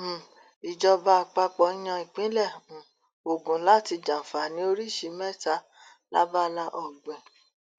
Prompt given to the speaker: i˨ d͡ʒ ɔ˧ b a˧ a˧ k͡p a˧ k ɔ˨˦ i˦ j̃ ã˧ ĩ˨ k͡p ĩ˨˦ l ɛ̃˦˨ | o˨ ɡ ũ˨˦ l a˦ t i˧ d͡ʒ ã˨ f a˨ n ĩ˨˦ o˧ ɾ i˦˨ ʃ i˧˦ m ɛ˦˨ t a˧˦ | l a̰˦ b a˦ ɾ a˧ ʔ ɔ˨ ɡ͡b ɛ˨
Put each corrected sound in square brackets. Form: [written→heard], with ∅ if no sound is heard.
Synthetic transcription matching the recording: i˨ d͡ʒ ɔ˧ b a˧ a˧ k͡p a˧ [k→k͡p] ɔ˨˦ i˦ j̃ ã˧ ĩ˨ k͡p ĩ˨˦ l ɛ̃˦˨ | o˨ ɡ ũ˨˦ l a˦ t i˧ d͡ʒ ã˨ f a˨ n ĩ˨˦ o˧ ɾ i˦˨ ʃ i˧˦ m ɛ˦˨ t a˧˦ | l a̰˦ b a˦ [ɾ→l] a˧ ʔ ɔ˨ ɡ͡b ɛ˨

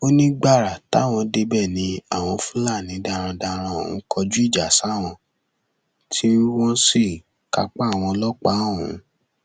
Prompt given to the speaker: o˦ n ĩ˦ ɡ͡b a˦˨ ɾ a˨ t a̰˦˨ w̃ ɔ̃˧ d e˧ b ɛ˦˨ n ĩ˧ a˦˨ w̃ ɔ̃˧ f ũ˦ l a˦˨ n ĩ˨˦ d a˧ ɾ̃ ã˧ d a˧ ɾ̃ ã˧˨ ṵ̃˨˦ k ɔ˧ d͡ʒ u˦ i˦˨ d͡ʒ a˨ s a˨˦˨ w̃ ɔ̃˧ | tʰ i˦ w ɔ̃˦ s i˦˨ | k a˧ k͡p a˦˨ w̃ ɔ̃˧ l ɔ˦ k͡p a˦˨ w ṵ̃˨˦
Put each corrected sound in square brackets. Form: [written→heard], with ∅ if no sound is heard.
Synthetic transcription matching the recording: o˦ n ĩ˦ ɡ͡b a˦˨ ɾ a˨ t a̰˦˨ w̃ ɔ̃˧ d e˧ b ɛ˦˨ n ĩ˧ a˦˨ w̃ ɔ̃˧ f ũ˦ l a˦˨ n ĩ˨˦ d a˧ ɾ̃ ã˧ d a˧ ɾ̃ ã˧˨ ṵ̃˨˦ k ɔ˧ d͡ʒ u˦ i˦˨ d͡ʒ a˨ s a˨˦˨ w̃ ɔ̃˧ | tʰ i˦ w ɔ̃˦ s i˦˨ | k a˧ k͡p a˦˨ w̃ ɔ̃˧ l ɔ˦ k͡p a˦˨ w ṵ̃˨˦

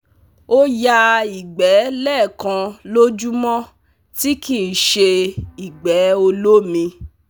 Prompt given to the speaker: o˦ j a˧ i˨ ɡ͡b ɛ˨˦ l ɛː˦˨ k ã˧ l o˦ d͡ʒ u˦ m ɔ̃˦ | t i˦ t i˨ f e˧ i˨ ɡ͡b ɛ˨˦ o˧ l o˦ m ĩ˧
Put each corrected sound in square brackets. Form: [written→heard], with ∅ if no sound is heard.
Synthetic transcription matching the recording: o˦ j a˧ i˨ ɡ͡b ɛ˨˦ l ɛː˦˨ k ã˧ l o˦ d͡ʒ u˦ m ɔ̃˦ | t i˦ [t→k] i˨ [f→ʃ] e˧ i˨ ɡ͡b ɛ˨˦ o˧ l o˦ m ĩ˧

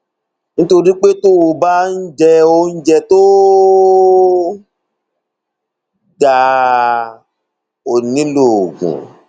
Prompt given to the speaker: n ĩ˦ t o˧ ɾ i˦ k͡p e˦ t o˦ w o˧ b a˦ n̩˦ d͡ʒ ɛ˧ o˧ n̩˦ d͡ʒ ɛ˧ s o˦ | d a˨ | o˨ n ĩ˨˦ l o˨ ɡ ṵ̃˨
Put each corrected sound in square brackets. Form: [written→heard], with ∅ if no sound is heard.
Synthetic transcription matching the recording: n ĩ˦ t o˧ ɾ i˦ k͡p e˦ t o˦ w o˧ b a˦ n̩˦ d͡ʒ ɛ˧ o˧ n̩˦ d͡ʒ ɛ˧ [s→t] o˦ | d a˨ | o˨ n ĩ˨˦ l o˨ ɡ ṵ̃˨

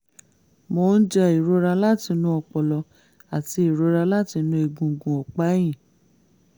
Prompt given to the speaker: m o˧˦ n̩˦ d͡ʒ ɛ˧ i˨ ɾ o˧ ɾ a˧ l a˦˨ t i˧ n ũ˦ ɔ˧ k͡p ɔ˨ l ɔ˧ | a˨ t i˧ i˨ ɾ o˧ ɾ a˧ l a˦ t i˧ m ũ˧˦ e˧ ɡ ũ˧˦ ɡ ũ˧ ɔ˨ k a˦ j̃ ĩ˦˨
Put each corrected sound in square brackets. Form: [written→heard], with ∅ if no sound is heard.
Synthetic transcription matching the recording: m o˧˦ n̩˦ d͡ʒ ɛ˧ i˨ ɾ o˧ ɾ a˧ l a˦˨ t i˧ n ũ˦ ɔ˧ k͡p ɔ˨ l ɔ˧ | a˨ t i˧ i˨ ɾ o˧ ɾ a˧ l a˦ t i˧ [m→n] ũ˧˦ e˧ ɡ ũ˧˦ ɡ ũ˧ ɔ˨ [k→k͡p] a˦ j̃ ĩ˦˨

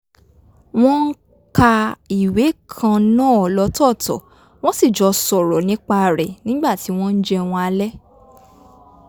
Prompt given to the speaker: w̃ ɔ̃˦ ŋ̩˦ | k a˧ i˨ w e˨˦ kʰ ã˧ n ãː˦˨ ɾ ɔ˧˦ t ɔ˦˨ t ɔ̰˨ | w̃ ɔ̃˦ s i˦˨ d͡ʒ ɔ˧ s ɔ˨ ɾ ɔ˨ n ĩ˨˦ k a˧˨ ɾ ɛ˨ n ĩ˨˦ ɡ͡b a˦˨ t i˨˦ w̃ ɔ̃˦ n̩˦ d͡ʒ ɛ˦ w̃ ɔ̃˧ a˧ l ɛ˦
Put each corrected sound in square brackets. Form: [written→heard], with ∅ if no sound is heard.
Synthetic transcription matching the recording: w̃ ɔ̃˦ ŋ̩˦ | k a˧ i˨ w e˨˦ kʰ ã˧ n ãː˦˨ [ɾ→l] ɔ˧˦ t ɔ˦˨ t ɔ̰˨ | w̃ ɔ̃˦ s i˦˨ d͡ʒ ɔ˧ s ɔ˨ ɾ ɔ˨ n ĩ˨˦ [k→k͡p] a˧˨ ɾ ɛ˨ n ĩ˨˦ ɡ͡b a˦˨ t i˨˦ w̃ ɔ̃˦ n̩˦ d͡ʒ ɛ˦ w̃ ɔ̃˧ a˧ l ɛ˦

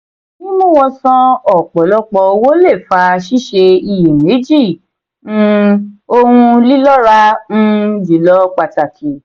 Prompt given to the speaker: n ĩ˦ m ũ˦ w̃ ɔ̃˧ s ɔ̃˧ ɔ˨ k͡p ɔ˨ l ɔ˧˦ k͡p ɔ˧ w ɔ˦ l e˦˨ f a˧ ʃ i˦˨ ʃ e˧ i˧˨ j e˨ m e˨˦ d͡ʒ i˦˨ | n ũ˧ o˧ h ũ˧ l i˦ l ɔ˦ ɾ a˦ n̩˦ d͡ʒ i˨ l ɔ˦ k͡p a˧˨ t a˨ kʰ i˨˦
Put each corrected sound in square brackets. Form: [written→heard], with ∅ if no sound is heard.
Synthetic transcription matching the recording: n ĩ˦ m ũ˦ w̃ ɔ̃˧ s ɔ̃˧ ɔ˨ k͡p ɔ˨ l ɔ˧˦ k͡p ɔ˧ w [ɔ˦→o˦] l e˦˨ f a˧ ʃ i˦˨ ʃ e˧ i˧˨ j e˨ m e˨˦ d͡ʒ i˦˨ | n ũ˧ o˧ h ũ˧ l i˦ l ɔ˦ ɾ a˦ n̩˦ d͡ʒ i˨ l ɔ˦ k͡p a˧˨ t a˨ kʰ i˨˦

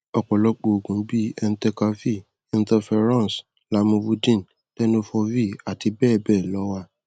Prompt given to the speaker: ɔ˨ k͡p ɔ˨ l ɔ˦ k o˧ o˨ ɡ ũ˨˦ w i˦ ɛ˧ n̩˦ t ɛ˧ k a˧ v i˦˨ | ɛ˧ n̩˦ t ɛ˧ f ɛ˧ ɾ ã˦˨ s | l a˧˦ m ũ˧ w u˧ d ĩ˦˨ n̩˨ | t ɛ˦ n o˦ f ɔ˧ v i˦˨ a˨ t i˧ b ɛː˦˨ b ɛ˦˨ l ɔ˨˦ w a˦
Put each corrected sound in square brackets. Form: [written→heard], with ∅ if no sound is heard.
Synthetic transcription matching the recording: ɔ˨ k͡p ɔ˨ l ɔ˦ [k→k͡p] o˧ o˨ ɡ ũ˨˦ [w→b] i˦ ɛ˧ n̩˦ t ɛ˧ k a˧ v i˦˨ | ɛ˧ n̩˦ t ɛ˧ f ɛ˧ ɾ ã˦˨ s | l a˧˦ m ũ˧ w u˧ d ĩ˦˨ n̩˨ | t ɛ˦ n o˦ f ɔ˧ v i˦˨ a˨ t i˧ b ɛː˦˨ b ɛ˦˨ l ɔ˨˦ w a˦

